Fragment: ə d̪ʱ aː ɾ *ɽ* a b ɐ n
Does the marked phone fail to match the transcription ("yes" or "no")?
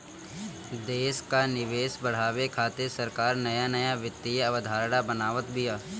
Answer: no